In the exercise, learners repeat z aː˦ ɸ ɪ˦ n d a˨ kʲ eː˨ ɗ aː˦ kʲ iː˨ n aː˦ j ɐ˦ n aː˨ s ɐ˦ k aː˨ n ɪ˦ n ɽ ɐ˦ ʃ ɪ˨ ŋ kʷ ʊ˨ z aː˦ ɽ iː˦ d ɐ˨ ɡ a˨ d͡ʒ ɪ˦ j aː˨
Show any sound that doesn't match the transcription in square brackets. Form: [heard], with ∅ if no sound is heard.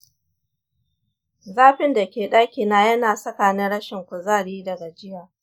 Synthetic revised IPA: z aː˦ ɸ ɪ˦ n d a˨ kʲ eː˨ ɗ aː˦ kʲ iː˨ n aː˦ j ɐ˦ n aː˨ s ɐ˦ k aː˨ n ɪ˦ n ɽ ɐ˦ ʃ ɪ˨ ŋ kʷ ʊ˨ z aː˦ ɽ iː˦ d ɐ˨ ɡ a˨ d͡ʒ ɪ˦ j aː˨